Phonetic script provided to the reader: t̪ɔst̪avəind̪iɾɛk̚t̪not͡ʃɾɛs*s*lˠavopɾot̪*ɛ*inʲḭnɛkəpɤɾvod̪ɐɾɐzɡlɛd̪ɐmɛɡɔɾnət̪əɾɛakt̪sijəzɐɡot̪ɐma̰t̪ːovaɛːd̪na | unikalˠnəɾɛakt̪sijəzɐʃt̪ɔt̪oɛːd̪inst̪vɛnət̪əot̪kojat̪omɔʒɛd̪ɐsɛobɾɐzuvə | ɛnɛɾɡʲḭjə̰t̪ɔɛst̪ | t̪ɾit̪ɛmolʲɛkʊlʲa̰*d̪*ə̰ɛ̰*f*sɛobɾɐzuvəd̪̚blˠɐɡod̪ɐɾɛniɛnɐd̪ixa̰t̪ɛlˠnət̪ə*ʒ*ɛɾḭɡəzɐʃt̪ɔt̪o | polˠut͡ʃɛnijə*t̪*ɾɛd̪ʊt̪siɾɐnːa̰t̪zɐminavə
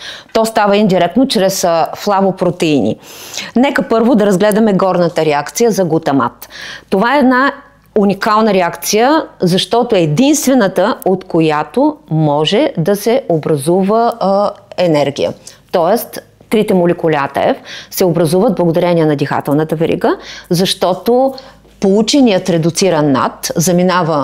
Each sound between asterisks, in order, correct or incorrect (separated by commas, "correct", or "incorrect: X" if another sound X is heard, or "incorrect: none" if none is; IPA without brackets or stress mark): incorrect: f, correct, incorrect: t̪, correct, incorrect: v, correct